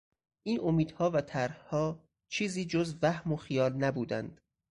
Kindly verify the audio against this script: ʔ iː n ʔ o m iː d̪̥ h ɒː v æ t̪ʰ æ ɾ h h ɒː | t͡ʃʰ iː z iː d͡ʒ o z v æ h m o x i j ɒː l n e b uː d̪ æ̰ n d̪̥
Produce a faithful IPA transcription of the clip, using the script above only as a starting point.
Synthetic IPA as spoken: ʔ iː n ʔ o m iː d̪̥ h ɒː v æ t̪ʰ æ ɾ h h ɒː | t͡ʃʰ iː z iː d͡ʒ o z v æ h m o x i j ɒː l n æ b uː d̪ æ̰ n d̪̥

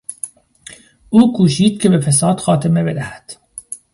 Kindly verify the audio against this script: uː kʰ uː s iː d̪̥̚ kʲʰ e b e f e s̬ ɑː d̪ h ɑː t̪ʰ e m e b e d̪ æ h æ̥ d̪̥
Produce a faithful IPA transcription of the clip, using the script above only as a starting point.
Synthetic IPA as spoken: uː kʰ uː ʃ iː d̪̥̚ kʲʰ e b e f e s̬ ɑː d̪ x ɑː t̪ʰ e m e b e d̪ æ h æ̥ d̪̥

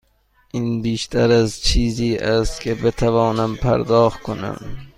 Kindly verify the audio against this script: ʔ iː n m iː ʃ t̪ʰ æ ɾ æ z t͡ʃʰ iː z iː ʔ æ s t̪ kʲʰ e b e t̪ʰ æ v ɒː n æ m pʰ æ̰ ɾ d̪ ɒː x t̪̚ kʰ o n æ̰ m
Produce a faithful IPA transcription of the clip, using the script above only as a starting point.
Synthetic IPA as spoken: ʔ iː n b iː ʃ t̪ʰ æ ɾ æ z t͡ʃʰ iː z iː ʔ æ s t̪ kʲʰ e b e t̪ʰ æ v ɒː n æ m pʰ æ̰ ɾ d̪ ɒː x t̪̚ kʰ o n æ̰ m

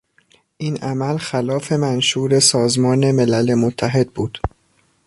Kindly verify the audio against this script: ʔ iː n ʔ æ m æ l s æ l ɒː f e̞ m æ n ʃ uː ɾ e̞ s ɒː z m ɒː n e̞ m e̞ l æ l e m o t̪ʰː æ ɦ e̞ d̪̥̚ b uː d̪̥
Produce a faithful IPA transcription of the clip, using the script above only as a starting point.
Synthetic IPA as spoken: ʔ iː n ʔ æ m æ l x æ l ɒː f e̞ m æ n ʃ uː ɾ e̞ s ɒː z m ɒː n e̞ m e̞ l æ l e m o t̪ʰː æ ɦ e̞ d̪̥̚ b uː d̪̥

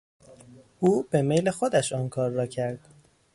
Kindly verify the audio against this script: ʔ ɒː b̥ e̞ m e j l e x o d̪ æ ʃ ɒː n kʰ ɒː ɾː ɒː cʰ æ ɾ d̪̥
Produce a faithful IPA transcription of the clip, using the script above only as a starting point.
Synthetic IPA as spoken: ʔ uː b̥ e̞ m e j l e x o d̪ æ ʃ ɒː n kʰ ɒː ɾː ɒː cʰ æ ɾ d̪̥

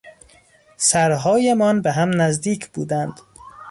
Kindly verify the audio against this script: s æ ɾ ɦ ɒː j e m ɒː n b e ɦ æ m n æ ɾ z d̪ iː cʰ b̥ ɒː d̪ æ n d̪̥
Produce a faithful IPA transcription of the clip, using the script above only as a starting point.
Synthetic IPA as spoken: s æ ɾ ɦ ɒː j e m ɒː n b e ɦ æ m n æ z d̪ iː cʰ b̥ uː d̪ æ n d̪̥

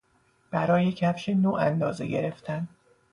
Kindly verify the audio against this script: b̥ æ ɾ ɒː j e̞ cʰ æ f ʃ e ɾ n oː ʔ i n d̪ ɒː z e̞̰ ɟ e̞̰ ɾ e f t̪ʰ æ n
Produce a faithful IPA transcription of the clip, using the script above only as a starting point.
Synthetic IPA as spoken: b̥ æ ɾ ɒː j e̞ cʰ æ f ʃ e n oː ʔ æ n d̪ ɒː z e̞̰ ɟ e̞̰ ɾ e f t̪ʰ æ n

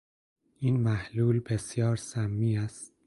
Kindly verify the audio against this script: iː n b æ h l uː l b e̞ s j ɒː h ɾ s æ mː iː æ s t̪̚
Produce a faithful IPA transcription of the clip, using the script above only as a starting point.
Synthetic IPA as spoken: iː n m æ h l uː l b e̞ s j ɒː ɾ s æ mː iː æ s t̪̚

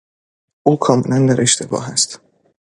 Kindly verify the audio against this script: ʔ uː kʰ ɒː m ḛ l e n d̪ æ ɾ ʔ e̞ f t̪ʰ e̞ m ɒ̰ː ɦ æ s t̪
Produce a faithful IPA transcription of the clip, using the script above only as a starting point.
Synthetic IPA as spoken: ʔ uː kʰ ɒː m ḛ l æ n d̪ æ ɾ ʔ e̞ ʃ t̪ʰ e̞ b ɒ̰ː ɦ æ s t̪

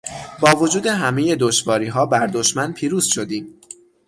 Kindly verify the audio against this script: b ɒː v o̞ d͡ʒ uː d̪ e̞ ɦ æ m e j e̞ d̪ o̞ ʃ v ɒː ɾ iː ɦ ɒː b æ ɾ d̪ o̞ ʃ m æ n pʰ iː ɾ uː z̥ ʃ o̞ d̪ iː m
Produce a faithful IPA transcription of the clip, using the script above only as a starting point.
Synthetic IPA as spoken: b ɒː v o̞ d͡ʒ uː d̪ e̞ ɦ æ m e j e̞ d̪ o̞ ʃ v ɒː ɾ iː ɦ ɒː b æ ɾ d̪ o̞ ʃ m æ n pʰ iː ɾ uː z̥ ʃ o̞ d̪ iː m

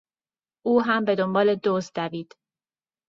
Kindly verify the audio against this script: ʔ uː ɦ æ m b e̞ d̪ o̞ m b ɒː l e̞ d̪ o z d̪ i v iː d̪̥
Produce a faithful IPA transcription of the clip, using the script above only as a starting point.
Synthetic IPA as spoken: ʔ uː ɦ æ m b e̞ d̪ o̞ m b ɒː l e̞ d̪ o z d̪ æ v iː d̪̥

